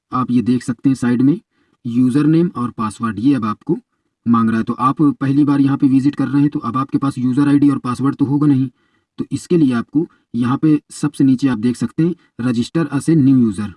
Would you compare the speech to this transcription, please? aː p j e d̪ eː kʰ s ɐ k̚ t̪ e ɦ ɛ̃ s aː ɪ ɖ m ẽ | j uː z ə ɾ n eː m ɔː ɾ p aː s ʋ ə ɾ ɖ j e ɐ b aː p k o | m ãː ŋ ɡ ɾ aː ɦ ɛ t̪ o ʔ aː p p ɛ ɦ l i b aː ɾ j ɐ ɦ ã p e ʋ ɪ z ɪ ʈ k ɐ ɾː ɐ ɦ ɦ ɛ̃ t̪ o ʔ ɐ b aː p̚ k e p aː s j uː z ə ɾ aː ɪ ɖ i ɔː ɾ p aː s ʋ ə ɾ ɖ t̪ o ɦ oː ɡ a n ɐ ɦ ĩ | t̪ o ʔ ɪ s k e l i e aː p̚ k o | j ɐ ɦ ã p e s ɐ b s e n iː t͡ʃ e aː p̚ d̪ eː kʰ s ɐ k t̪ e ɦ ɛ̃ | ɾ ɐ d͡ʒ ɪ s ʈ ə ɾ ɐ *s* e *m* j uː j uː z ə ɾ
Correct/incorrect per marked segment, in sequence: correct, incorrect: n

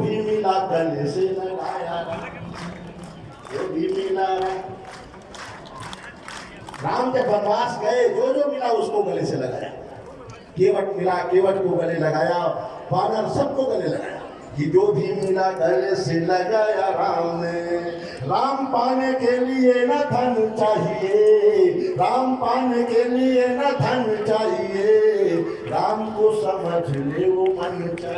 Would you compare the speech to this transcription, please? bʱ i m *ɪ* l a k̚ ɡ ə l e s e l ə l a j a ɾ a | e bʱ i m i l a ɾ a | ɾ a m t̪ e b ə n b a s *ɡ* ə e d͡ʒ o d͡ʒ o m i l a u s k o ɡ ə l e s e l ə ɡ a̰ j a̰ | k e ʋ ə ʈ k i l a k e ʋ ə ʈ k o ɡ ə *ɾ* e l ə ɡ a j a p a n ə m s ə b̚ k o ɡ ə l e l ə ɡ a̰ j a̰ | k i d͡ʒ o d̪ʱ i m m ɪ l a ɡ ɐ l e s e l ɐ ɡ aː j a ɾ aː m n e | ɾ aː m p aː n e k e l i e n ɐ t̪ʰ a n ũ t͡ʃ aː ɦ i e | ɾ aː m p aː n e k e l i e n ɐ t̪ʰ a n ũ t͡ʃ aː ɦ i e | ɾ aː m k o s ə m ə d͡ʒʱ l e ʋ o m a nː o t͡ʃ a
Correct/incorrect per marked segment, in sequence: incorrect: i, correct, incorrect: l

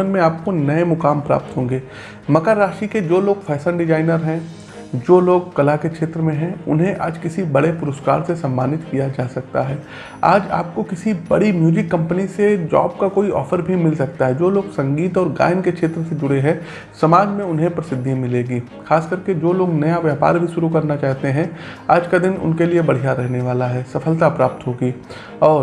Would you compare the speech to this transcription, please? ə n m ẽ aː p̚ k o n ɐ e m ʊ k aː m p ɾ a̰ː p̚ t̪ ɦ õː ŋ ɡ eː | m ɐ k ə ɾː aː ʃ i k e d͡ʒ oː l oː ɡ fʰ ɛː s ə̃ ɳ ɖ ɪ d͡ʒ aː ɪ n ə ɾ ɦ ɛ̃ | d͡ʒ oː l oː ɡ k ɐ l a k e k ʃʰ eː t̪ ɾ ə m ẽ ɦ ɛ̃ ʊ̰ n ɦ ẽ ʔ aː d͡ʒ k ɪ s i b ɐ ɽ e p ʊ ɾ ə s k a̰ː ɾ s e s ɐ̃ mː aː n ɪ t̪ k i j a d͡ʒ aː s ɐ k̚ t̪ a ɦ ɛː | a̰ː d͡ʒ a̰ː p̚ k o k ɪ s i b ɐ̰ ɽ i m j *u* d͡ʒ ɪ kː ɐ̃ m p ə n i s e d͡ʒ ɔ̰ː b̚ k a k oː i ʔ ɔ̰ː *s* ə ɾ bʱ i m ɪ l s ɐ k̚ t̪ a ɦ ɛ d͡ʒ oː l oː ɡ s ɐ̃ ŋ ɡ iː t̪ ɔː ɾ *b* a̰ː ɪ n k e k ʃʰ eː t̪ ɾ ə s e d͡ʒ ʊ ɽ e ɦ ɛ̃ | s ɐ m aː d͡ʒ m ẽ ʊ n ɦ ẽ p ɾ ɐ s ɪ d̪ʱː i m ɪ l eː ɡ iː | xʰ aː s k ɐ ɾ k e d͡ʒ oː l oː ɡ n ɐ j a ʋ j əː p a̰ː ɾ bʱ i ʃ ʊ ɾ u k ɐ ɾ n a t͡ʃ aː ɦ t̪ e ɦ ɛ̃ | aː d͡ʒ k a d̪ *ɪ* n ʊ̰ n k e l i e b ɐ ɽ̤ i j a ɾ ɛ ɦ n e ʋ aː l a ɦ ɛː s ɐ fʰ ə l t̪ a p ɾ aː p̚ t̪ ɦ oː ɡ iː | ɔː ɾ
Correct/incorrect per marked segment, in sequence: incorrect: uː, incorrect: f, incorrect: ɡ, correct

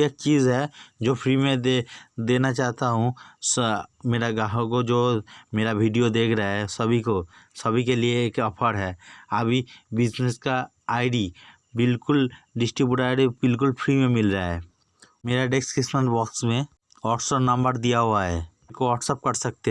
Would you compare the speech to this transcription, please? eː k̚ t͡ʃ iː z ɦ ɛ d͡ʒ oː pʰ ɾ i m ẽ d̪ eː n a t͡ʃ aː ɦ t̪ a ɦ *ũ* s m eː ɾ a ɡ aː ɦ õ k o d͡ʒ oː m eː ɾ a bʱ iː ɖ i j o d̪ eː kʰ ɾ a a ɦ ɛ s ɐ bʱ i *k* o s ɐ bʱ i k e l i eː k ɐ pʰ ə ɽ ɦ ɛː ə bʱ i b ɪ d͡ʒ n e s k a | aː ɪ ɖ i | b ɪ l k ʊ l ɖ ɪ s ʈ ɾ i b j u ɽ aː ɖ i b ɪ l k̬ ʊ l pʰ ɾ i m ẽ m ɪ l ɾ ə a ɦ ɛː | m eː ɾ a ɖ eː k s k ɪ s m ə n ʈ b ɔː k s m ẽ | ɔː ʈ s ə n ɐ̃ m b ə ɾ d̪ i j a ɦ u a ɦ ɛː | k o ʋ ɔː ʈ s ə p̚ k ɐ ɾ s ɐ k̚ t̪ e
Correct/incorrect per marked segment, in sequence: correct, correct

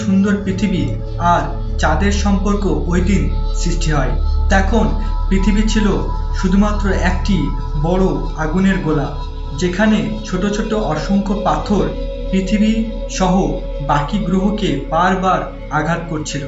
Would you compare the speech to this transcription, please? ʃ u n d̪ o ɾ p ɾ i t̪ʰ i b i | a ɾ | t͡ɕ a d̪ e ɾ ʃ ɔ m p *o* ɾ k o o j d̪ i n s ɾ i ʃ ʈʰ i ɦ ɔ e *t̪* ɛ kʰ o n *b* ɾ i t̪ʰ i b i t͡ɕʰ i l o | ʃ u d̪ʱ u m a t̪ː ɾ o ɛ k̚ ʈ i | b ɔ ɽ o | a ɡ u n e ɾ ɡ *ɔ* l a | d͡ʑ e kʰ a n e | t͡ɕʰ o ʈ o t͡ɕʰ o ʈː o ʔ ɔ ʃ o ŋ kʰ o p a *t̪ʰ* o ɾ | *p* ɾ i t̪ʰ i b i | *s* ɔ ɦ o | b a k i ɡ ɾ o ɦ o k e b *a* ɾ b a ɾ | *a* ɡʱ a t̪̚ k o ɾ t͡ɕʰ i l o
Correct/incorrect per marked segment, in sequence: correct, correct, incorrect: p, incorrect: o, correct, correct, incorrect: ʃ, correct, correct

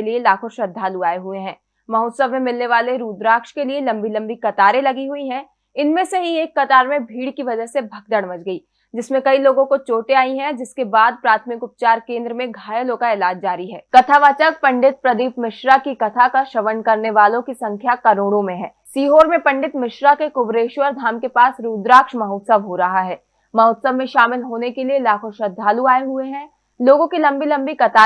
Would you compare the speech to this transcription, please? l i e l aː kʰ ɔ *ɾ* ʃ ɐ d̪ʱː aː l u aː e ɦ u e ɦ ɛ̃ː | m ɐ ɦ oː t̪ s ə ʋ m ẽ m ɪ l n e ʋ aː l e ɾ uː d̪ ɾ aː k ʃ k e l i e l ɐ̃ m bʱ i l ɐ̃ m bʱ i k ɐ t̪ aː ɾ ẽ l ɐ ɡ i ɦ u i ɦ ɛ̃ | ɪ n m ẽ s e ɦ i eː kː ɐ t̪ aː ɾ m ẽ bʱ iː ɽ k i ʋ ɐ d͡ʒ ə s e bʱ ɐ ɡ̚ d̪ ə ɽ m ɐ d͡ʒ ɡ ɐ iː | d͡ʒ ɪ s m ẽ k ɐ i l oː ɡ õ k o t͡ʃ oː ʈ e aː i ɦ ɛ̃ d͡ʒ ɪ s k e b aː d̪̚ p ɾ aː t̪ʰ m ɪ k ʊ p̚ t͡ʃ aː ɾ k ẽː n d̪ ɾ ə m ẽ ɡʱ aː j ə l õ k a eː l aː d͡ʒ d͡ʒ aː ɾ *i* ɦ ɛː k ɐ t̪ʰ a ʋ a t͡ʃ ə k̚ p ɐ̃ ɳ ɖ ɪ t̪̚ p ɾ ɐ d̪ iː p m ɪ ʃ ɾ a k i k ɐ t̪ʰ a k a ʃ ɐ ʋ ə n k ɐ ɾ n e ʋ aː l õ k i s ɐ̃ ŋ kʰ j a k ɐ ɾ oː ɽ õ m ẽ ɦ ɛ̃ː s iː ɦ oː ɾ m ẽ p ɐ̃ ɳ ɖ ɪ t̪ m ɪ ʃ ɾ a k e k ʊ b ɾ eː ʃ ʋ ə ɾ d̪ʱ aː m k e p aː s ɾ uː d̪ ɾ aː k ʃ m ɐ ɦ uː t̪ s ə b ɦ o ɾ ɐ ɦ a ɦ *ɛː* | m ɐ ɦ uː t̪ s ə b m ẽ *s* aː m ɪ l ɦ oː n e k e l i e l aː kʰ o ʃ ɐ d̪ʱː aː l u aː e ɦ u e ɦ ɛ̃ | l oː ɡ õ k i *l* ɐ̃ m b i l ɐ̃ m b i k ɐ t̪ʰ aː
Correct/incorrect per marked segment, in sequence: correct, correct, correct, incorrect: ʃ, correct

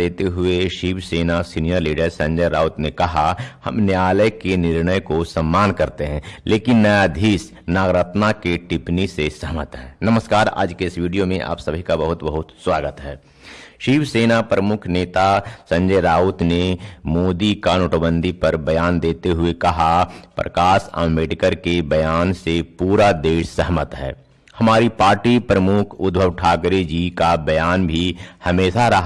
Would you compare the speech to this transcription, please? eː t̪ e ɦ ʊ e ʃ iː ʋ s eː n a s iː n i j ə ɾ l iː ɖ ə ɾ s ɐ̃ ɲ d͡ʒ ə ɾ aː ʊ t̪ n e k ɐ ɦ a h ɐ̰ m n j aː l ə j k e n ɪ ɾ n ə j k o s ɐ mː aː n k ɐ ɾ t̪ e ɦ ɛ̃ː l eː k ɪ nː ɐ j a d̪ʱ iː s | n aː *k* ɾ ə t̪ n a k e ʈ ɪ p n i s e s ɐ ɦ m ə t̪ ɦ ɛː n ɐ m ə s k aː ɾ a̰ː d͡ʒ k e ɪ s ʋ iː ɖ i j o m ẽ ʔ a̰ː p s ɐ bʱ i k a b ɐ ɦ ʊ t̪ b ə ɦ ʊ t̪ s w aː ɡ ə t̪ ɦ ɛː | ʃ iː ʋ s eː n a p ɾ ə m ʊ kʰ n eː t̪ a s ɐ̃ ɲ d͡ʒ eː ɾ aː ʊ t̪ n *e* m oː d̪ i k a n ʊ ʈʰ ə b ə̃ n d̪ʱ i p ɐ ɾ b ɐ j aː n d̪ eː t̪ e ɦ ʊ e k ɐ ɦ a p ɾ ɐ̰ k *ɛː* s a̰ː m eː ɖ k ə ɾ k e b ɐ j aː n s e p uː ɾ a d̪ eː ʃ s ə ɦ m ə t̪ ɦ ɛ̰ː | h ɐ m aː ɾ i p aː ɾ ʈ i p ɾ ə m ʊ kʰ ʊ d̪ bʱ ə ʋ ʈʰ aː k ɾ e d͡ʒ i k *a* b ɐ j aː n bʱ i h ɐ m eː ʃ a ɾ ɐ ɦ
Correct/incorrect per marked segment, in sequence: incorrect: ɡ, correct, incorrect: aː, correct

